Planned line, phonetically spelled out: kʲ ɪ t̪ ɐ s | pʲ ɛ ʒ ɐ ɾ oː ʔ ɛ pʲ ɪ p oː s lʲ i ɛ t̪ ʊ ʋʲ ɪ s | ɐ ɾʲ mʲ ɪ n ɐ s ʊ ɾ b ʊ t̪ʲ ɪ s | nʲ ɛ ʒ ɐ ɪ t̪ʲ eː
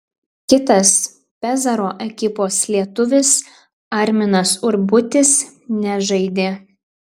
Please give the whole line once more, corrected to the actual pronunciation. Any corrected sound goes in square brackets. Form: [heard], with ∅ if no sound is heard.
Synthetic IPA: kʲ ɪ t̪ ɐ s | pʲ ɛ [z] ɐ ɾ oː ʔ ɛ [kʲ] ɪ p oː s lʲ i ɛ t̪ ʊ ʋʲ ɪ s | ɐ ɾʲ mʲ ɪ n ɐ s ʊ ɾ b ʊ t̪ʲ ɪ s | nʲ ɛ ʒ ɐ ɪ [d̪ʲ] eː